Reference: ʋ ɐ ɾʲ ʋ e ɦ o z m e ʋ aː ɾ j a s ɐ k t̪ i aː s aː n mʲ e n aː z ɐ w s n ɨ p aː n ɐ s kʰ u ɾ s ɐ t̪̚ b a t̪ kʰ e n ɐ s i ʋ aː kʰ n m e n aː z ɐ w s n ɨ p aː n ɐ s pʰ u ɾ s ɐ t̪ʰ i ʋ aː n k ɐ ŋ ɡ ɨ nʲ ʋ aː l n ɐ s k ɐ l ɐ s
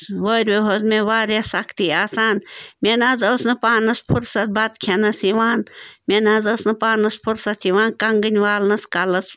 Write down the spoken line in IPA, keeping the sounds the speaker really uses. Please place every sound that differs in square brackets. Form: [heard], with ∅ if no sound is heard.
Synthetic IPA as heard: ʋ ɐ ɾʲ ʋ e ɦ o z m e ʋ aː ɾ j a s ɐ k t̪ i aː s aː n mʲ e n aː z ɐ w s n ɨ p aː n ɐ s [pʰ] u ɾ s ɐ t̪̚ b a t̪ kʰ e n ɐ s i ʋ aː [∅] n m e n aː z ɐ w s n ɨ p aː n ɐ s pʰ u ɾ s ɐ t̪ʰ i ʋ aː n k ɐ ŋ ɡ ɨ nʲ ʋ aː l n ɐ s k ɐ l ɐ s